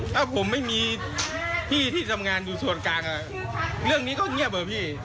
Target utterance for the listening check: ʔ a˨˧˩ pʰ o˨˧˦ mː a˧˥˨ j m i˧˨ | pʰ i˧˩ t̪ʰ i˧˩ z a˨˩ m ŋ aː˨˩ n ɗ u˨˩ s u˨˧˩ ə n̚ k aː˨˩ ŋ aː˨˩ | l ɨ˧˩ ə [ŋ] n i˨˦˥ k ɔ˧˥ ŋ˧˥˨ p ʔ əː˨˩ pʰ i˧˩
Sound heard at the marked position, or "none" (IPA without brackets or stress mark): ŋ